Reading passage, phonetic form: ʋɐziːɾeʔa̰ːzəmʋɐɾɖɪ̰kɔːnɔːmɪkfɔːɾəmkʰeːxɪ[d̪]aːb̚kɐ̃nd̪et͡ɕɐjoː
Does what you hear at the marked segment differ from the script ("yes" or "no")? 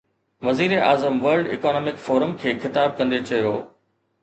yes